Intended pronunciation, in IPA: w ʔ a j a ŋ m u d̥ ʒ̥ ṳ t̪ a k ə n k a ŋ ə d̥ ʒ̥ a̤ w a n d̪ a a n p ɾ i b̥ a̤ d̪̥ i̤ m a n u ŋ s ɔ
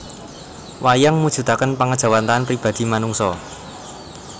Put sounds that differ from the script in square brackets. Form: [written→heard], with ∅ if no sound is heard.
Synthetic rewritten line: w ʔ a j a ŋ m u d̥ ʒ̥ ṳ t̪ a k ə n [k→p] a ŋ ə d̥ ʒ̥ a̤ w a n [d̪→t̪] a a n p ɾ i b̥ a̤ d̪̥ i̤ m a n u ŋ s ɔ

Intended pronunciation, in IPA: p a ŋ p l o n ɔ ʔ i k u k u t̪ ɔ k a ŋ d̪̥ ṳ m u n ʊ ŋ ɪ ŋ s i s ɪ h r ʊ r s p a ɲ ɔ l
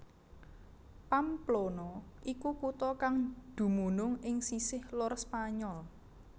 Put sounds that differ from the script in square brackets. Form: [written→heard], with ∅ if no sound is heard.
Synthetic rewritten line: p a [ŋ→m] p l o n ɔ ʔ i k u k u t̪ ɔ k a ŋ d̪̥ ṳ m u n ʊ ŋ ɪ ŋ s i s ɪ h [r→l] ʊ r s p a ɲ ɔ l

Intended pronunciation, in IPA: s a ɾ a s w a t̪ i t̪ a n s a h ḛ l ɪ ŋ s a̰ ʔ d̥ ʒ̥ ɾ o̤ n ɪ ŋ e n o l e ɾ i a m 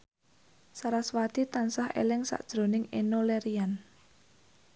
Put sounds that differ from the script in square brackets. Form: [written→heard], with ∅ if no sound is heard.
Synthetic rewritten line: s a ɾ a s w a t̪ i t̪ a n s a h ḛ l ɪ ŋ s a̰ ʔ d̥ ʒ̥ ɾ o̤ n ɪ ŋ e n o l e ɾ i a [m→n]

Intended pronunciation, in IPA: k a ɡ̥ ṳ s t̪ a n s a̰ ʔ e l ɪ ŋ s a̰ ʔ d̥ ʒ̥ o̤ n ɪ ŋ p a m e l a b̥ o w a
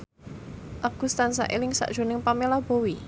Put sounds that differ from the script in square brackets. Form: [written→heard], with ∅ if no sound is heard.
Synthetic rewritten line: [k→ʔ] a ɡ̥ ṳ s t̪ a n s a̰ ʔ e l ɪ ŋ s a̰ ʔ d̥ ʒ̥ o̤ n ɪ ŋ p a m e l a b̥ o w [a→i]

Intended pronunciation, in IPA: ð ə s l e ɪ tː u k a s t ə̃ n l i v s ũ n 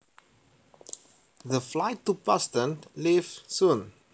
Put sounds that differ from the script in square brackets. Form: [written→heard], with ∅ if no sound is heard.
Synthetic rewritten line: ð ə [s→f] l [e→a] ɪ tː u [k→p] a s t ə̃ n l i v s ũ n

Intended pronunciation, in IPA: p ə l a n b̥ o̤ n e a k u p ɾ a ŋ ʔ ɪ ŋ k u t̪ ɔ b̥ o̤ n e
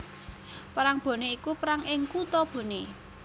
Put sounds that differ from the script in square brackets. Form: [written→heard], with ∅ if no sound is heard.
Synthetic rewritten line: p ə [l→ɾ] a [n→ŋ] b̥ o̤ n e [a→i] k u p ɾ a ŋ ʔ ɪ ŋ k u t̪ ɔ b̥ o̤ n e

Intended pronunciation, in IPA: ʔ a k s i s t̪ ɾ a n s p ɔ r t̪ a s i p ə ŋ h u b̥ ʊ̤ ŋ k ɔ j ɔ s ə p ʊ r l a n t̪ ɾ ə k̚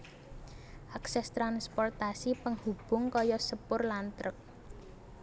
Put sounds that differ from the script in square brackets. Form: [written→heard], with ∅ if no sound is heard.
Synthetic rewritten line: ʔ a k s [i→ɛ] s t̪ ɾ a n s p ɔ r t̪ a s i p ə ŋ h u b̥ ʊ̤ ŋ k ɔ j ɔ s ə p ʊ r l a n t̪ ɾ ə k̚

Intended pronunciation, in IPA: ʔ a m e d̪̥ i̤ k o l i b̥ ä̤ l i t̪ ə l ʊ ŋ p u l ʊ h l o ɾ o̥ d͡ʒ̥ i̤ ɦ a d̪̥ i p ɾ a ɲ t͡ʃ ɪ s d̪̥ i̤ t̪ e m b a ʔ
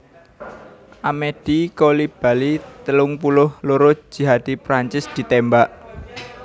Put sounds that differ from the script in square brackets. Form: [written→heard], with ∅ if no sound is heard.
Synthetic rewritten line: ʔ a m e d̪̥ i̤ k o l i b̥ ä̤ l i t̪ ə l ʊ ŋ p u l ʊ h l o ɾ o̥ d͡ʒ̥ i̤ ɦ a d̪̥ i p ɾ a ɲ t͡ʃ ɪ s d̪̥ i̤ t̪ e m b a ʔ

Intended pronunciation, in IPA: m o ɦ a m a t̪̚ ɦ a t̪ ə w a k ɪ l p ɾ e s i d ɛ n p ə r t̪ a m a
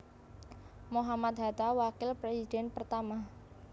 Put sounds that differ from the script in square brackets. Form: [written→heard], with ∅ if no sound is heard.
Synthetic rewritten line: m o ɦ a m a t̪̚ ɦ a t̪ [ə→a] w a k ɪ l p ɾ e s i d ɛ n p ə r t̪ a m a

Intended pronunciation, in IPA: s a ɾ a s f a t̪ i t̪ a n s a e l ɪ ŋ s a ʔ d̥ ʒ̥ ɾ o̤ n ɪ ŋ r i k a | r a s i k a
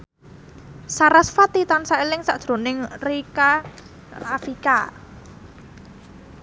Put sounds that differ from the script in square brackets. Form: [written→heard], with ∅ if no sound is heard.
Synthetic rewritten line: s a ɾ a s f a t̪ i t̪ a n s a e l ɪ ŋ s a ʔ d̥ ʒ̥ ɾ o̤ n ɪ ŋ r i k a | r a [s→f] i k a

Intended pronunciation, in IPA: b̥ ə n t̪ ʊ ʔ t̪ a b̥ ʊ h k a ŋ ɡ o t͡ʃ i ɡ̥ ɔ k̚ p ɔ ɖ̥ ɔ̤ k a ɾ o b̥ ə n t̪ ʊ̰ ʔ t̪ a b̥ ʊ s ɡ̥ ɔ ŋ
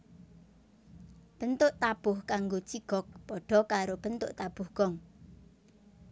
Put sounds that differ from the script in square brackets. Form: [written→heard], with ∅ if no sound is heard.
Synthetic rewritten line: b̥ ə n t̪ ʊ ʔ t̪ a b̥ ʊ h k a ŋ ɡ o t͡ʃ i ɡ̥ ɔ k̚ p ɔ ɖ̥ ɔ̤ k a ɾ o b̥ ə n t̪ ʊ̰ ʔ t̪ a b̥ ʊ [s→h] ɡ̥ ɔ ŋ

